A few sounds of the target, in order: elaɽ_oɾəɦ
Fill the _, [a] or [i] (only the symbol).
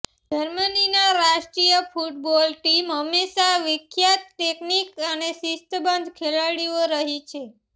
i